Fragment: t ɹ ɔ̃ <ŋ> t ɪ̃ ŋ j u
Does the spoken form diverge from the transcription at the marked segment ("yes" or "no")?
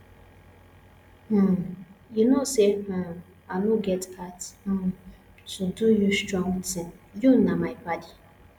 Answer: no